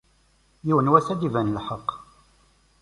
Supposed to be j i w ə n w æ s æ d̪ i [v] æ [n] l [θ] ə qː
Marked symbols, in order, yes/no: yes, yes, no

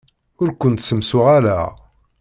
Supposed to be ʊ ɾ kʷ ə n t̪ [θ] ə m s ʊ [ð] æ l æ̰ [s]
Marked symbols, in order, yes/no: no, no, no

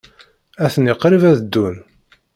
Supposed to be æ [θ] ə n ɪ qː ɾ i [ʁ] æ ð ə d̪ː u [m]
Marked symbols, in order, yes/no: yes, no, no

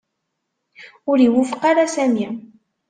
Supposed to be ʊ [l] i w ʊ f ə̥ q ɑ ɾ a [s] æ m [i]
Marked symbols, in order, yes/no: no, yes, yes

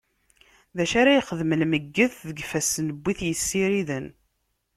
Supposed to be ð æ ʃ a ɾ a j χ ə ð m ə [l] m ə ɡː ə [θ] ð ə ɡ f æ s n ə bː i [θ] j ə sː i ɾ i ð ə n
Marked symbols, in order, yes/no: yes, yes, yes

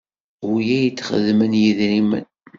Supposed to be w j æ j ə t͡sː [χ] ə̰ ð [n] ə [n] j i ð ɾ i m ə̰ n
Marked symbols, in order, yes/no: yes, no, yes

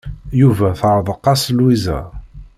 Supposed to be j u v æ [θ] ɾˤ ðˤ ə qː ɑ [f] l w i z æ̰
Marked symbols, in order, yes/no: yes, no

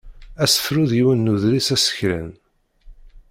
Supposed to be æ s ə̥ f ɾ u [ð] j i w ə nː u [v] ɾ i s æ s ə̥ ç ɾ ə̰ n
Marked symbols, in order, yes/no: yes, no

